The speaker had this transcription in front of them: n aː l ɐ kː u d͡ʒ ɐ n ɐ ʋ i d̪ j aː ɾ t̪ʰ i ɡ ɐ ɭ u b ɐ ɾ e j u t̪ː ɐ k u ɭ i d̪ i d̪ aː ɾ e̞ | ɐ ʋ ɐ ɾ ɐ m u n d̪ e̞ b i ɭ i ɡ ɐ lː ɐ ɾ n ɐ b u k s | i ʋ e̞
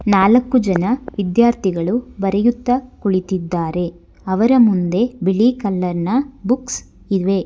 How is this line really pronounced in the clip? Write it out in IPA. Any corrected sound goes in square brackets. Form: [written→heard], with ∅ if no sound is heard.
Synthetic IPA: n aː l ɐ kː u d͡ʒ ɐ n ɐ ʋ i d̪ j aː ɾ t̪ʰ i ɡ ɐ ɭ u b ɐ ɾ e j u t̪ː ɐ k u ɭ i [d̪→t̪] i [d̪→d̪ː] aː ɾ e̞ | ɐ ʋ ɐ ɾ ɐ m u n d̪ e̞ b i ɭ i [ɡ→k] ɐ lː ɐ ɾ n ɐ b u k s | i ʋ e̞